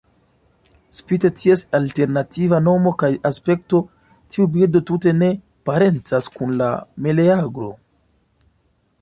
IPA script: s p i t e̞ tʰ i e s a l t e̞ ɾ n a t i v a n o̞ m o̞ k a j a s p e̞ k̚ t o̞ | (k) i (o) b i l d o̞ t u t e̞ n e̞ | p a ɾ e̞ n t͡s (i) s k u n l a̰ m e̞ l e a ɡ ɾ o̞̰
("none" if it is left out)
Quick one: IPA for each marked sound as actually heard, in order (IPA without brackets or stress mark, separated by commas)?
t, u, a